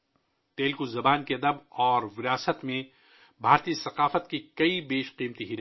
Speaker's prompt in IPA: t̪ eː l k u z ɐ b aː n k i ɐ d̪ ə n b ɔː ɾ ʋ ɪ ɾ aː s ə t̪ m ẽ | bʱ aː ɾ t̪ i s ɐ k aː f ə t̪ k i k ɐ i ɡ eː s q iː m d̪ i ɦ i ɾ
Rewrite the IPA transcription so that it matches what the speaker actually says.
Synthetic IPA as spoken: t̪ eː l k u z ɐ b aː n k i ɐ d̪ ə b ɔː ɾ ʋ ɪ ɾ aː s ə t̪ m ẽ | bʱ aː ɾ t̪ i s ɐ q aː f ə t̪ k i k ɐ i b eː ʃ q iː m t̪ i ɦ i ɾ